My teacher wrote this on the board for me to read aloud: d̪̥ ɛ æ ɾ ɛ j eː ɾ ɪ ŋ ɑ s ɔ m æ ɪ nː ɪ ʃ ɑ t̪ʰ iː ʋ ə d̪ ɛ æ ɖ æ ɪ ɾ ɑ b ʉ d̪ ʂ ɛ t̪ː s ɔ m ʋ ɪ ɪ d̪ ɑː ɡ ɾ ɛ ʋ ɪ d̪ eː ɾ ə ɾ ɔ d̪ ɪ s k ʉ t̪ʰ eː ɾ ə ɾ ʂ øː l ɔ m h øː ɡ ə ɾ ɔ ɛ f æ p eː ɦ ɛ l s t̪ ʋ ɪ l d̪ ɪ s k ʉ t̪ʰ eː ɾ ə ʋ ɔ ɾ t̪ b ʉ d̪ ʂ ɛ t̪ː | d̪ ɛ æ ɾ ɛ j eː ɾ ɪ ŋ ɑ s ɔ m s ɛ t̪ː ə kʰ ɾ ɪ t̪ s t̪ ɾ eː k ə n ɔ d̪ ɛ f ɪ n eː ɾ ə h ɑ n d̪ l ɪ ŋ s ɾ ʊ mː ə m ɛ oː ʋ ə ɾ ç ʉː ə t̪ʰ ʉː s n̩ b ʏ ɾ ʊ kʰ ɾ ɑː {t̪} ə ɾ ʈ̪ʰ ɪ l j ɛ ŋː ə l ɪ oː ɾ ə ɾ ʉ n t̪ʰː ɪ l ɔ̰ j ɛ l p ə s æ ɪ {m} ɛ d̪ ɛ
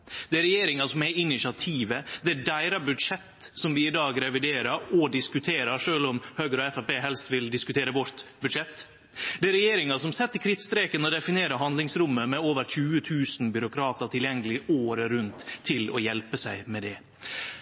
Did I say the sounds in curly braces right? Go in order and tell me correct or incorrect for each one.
correct, correct

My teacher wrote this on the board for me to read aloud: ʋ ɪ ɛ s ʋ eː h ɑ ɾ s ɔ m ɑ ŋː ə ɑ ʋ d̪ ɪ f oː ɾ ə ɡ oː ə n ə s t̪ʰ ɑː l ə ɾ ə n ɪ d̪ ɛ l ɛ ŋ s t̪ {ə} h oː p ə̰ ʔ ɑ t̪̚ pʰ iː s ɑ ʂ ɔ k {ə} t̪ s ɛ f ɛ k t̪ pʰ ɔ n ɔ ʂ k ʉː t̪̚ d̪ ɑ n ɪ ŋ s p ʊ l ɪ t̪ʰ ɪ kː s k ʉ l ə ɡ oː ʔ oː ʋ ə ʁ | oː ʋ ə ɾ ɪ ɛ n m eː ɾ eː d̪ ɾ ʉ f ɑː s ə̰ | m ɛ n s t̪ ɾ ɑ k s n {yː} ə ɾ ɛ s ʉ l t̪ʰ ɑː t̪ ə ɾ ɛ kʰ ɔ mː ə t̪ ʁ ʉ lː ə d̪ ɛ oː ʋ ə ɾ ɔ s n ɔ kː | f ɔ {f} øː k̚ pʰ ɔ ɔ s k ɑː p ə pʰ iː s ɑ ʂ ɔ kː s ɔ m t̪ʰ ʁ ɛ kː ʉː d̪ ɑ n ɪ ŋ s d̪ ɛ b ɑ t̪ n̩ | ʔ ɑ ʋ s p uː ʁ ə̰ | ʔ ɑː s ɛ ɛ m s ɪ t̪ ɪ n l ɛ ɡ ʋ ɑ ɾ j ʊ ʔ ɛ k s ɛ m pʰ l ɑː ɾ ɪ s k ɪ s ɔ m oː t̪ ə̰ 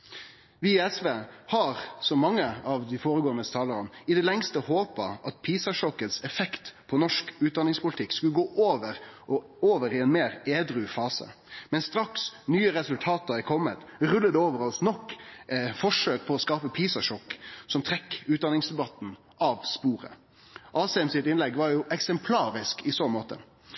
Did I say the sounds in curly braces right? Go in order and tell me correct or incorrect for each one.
correct, correct, correct, incorrect: ʂ

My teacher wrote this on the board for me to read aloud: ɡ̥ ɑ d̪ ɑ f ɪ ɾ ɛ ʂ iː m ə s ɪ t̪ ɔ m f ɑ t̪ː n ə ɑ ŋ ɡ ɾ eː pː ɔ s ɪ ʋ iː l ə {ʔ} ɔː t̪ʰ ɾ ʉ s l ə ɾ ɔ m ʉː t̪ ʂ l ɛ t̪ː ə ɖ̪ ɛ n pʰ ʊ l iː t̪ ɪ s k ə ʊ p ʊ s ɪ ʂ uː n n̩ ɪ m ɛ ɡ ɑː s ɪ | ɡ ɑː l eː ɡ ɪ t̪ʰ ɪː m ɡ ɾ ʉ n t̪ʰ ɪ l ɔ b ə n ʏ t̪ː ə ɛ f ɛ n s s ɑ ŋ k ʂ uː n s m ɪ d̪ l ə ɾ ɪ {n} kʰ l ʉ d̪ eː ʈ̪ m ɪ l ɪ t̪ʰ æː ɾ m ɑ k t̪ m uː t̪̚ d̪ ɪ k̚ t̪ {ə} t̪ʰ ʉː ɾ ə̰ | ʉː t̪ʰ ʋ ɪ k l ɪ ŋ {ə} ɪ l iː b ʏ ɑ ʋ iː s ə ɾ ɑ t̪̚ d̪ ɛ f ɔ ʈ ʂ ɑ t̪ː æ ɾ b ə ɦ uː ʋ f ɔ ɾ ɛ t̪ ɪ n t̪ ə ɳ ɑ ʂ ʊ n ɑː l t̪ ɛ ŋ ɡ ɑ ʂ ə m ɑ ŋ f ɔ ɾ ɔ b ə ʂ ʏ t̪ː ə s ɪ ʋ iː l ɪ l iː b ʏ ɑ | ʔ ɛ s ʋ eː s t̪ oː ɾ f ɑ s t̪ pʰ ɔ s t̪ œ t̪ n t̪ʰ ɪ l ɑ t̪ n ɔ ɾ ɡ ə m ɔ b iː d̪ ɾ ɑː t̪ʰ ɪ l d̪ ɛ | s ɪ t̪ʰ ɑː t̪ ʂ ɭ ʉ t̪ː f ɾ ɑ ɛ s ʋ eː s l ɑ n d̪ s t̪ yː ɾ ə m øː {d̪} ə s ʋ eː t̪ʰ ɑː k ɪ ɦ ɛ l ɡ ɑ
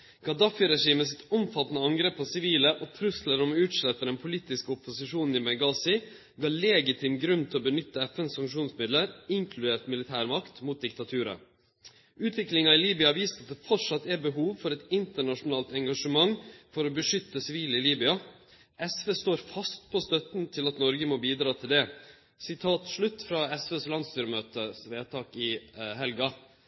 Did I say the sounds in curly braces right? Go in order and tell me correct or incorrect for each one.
correct, incorrect: ŋ, incorrect: ɑ, incorrect: ɑ, incorrect: t̪

